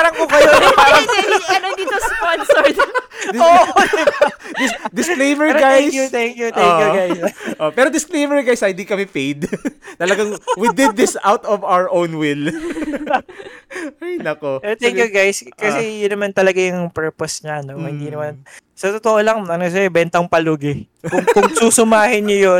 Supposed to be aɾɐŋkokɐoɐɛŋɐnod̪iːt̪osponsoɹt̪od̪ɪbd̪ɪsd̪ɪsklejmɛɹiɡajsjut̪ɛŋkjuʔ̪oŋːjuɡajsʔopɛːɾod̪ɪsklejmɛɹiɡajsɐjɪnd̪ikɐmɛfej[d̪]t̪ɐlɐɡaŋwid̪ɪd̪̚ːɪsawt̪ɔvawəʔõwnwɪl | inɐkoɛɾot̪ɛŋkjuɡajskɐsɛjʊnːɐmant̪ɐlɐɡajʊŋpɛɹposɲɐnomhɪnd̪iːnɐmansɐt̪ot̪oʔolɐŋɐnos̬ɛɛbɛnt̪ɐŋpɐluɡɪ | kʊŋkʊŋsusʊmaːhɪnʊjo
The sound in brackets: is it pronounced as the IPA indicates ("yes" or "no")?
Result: yes